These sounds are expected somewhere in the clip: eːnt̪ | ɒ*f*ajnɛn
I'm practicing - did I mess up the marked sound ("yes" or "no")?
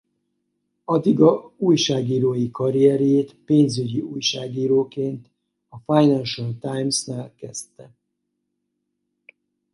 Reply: no